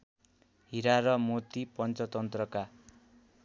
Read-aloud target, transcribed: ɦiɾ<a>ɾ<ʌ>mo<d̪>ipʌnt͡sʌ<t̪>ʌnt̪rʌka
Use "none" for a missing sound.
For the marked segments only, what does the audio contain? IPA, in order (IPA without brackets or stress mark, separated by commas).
a, ʌ, t̪, t̪